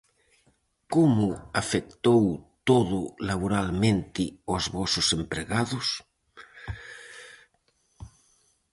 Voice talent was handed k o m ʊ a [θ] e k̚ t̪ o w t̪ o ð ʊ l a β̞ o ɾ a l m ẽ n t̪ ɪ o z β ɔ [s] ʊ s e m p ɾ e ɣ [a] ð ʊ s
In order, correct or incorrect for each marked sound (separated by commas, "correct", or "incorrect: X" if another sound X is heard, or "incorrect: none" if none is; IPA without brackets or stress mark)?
incorrect: f, correct, correct